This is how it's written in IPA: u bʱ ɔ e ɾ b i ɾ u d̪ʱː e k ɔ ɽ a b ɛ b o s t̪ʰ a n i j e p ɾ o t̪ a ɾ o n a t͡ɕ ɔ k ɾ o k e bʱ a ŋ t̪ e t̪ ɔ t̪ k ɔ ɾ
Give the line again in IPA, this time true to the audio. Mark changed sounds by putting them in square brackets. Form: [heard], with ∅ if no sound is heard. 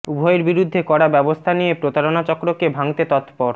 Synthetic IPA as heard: u bʱ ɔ e ɾ b i ɾ u d̪ʱː e k ɔ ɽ a b ɛ b o s t̪ʰ a n i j e p ɾ o t̪ a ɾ o n a t͡ɕ ɔ k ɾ o k e bʱ a ŋ t̪ e t̪ ɔ t̪ [p] ɔ ɾ